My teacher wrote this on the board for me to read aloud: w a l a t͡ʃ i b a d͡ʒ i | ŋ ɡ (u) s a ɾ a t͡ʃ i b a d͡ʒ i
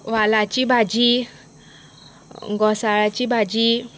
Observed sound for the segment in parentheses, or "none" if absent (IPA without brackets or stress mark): ɔ